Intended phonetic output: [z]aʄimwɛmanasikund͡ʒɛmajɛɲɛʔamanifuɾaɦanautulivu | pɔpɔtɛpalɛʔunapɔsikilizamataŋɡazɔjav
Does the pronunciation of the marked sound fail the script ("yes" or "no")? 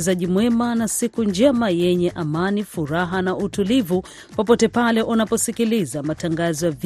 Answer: no